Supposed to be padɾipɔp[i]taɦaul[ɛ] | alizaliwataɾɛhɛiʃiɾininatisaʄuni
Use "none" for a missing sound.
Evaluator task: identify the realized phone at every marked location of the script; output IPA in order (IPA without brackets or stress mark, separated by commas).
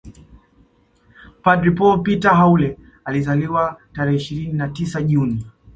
i, ɛ